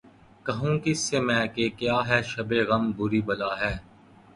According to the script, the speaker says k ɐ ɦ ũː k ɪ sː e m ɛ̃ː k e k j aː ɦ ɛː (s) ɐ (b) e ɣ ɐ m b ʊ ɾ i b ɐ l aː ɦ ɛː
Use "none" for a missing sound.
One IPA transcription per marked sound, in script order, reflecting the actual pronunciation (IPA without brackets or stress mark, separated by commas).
ʃ, b